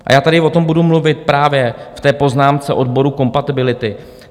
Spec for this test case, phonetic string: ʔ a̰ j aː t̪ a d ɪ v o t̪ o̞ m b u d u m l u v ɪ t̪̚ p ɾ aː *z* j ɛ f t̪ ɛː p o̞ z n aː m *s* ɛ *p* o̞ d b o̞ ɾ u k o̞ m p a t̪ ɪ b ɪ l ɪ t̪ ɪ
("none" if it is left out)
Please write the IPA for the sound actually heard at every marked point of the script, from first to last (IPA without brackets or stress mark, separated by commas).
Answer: v, t͡s, ʔ